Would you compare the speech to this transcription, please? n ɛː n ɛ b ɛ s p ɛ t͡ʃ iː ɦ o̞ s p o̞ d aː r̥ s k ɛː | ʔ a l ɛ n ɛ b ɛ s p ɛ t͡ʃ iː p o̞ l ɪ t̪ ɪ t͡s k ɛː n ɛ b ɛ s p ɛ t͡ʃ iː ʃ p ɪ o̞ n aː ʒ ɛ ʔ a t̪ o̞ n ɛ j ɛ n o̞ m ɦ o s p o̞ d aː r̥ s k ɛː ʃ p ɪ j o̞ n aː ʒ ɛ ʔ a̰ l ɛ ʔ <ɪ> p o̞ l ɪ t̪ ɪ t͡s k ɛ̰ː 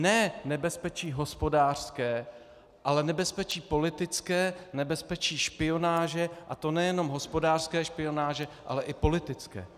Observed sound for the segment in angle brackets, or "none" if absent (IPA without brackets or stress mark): ɪ